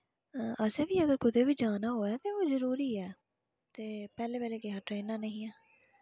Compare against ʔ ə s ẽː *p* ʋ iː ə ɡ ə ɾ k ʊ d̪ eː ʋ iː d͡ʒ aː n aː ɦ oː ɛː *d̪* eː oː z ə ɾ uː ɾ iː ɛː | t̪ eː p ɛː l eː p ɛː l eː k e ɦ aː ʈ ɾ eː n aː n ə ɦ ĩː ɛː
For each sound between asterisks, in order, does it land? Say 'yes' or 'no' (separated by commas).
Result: no, no